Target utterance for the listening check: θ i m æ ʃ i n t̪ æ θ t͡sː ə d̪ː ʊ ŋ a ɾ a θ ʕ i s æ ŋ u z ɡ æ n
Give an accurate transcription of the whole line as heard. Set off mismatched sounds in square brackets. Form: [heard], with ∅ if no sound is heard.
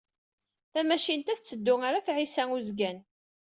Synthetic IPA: θ [æ] m æ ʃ i n t̪ æ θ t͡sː ə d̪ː ʊ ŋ a ɾ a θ ʕ i s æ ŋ u z ɡ æ n